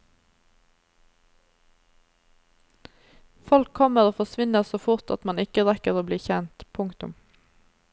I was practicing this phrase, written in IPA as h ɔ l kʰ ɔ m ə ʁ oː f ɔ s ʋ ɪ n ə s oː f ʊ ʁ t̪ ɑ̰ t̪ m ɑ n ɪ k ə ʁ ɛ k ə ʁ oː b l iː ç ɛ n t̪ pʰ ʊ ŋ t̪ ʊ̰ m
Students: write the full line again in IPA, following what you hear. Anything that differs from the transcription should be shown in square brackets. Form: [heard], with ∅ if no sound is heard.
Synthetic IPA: [f] ɔ l kʰ ɔ m ə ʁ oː f ɔ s ʋ ɪ n ə s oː f ʊ ʁ t̪ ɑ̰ t̪ m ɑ n ɪ k ə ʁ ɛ k ə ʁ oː b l iː ç ɛ n t̪ pʰ ʊ ŋ t̪ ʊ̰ m